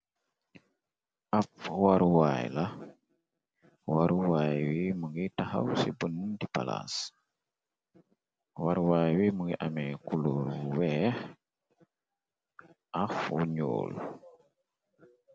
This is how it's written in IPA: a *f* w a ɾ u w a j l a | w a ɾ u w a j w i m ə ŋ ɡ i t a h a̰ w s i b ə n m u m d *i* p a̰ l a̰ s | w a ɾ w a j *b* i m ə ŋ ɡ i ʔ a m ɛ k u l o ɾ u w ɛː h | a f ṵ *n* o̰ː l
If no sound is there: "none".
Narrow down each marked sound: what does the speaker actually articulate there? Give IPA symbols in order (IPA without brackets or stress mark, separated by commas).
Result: f, i, w, ɲ